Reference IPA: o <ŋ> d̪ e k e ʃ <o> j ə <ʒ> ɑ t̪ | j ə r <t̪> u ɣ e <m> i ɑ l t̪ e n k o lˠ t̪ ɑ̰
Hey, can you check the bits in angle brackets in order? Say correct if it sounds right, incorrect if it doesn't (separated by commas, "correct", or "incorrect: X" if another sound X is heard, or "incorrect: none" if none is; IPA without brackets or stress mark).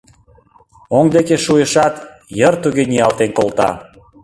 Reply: correct, incorrect: u, incorrect: ʃ, correct, incorrect: n